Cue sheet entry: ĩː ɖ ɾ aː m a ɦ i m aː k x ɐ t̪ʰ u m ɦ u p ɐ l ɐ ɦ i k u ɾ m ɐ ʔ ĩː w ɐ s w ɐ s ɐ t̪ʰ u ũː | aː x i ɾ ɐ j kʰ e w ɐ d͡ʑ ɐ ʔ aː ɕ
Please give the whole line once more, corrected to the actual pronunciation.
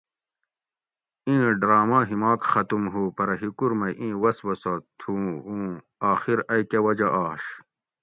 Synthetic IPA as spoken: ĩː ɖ ɾ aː m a ɦ i m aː k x ɐ t̪ u m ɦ u p ɐ ɾ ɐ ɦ i k u ɾ m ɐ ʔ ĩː w ɐ s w ɐ s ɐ t̪ʰ u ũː | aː x i ɾ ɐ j k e w ɐ d͡ʑ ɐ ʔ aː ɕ